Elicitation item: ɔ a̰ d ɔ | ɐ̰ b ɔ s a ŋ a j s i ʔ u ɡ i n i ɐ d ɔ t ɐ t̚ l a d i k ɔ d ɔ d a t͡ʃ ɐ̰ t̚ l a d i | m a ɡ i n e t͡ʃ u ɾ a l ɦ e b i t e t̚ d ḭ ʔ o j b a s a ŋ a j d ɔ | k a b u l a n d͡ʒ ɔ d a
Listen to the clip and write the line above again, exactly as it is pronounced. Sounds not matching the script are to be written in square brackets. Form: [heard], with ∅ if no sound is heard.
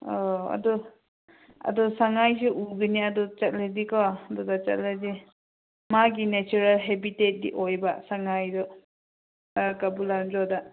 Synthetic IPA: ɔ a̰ d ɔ | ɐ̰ [d] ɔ s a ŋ a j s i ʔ u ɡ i n i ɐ d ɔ [t͡ʃ] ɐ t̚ l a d i k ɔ d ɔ d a t͡ʃ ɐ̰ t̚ l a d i | m a ɡ i n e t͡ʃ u ɾ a l ɦ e b i t e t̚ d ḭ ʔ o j b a s a ŋ a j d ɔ | k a b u l a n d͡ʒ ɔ d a